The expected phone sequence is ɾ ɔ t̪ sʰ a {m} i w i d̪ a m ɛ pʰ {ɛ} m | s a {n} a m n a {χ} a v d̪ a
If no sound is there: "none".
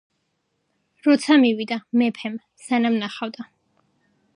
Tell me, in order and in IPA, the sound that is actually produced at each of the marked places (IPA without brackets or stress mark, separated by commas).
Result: m, ɛ, n, χ